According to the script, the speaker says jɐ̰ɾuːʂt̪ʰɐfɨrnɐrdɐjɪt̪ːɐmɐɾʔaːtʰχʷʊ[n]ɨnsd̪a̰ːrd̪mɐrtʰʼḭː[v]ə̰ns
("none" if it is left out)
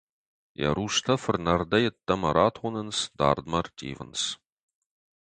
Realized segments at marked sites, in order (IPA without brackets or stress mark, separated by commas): n, v